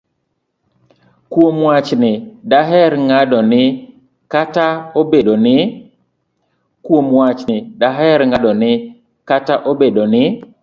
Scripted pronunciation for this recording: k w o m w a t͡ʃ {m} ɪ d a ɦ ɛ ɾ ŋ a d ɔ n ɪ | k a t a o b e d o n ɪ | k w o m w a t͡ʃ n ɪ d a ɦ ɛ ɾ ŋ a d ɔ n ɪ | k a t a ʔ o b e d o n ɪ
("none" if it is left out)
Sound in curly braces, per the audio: n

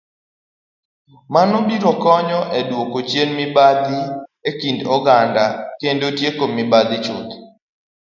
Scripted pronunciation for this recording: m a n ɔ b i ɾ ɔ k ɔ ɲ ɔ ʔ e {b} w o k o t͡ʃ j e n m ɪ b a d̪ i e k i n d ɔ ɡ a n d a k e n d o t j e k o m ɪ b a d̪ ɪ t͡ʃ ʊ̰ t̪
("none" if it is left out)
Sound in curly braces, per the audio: d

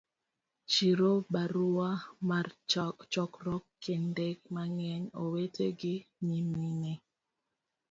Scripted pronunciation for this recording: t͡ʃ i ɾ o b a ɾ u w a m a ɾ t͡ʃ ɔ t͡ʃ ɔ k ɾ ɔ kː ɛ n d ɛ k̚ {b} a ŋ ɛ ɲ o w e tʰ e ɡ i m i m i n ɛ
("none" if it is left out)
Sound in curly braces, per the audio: m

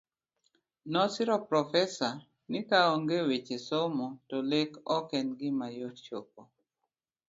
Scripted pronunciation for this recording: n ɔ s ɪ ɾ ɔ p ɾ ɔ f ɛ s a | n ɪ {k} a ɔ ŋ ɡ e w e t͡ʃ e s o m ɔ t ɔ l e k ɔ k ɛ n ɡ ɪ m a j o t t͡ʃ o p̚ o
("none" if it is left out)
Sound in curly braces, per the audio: k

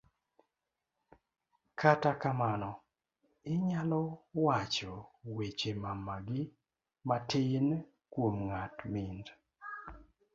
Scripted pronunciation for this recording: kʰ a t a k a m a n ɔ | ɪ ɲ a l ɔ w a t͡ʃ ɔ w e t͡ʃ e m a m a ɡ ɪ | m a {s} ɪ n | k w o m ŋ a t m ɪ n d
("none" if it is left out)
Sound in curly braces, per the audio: t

